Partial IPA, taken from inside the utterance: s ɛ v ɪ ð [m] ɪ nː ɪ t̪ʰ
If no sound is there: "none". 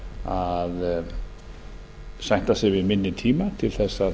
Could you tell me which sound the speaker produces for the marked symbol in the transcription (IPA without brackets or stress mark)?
m